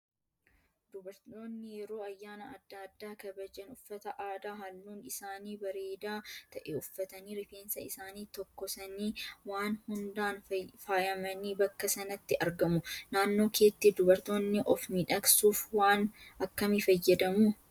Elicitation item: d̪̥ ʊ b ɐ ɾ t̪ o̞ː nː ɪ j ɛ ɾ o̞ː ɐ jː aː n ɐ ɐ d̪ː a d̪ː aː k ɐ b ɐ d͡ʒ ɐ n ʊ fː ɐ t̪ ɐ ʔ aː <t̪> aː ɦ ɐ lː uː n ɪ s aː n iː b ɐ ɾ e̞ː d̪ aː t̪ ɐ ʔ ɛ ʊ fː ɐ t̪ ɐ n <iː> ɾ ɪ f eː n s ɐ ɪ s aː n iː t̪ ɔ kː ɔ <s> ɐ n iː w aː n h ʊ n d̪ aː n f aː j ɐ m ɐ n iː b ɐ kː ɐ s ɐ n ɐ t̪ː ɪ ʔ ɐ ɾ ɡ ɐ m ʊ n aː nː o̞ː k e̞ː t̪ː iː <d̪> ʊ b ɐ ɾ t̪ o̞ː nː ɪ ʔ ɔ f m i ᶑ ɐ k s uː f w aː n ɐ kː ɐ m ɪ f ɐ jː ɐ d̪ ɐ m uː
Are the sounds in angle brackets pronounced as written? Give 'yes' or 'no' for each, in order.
no, yes, yes, yes

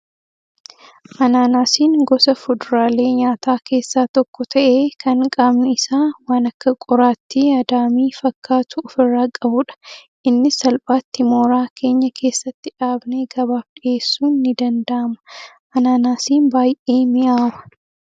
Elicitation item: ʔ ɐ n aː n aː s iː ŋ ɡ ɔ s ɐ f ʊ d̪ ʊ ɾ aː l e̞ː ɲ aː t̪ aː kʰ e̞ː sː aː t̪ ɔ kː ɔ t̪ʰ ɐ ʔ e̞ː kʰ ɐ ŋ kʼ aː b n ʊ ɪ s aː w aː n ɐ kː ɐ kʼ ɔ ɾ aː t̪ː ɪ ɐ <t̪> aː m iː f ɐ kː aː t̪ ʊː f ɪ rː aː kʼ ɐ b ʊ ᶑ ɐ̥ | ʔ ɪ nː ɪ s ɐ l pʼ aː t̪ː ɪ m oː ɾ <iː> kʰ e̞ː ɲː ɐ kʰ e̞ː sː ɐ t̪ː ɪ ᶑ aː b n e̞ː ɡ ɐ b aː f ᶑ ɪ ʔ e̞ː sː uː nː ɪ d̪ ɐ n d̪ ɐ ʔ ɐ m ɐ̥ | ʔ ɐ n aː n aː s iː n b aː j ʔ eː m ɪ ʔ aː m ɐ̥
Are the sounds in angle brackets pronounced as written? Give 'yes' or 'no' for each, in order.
no, no

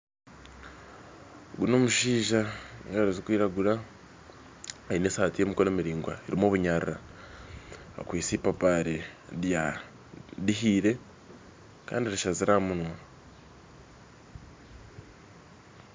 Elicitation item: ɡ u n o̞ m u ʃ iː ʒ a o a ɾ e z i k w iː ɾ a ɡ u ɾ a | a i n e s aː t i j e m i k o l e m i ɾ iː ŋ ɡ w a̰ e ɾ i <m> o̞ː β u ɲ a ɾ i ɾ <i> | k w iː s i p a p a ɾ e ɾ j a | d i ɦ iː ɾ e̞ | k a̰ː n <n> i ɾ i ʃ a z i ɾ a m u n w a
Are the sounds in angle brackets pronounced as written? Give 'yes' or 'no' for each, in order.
yes, no, no

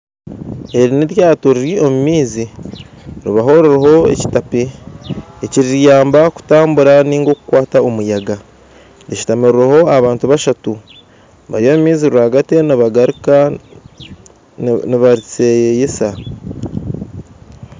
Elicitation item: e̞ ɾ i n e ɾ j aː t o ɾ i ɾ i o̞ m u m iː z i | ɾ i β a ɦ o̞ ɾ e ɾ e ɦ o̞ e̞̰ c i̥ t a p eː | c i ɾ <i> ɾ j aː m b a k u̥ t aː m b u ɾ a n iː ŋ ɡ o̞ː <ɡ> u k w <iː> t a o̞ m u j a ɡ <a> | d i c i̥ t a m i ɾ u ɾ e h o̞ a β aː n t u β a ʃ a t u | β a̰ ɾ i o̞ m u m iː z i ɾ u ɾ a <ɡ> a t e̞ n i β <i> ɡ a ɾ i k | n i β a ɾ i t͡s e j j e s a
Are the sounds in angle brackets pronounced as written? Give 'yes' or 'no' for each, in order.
yes, no, no, yes, yes, no

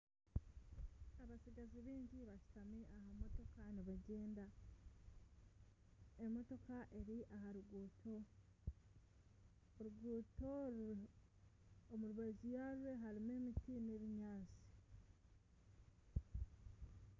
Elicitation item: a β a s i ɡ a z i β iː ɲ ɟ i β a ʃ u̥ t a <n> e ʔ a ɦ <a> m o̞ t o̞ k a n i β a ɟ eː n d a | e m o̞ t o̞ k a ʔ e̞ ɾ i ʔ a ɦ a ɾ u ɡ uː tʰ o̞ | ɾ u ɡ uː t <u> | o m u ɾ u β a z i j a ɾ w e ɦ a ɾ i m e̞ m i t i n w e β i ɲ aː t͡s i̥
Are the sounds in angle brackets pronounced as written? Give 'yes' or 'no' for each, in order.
no, yes, no

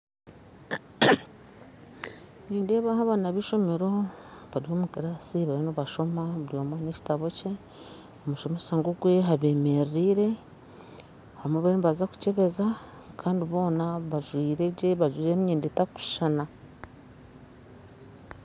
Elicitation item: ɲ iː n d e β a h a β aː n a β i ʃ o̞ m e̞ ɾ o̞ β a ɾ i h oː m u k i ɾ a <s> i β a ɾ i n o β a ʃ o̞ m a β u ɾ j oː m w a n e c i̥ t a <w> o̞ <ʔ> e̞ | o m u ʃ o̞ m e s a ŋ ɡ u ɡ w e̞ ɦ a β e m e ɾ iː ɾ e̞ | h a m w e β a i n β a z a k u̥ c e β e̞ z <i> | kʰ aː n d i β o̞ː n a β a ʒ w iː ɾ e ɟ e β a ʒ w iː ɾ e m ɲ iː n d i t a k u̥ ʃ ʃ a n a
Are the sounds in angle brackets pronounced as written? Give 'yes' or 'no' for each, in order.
yes, no, no, no

